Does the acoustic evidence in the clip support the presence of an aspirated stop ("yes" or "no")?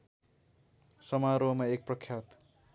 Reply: yes